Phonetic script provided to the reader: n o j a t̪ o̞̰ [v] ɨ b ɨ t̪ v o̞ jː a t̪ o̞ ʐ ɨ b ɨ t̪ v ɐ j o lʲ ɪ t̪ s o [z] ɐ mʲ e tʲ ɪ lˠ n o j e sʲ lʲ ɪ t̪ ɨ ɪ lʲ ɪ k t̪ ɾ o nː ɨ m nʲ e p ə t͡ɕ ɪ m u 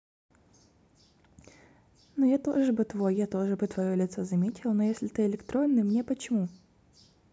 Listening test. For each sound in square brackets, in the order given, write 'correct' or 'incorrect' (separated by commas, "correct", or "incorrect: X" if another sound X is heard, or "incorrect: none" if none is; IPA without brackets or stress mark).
incorrect: ʐ, correct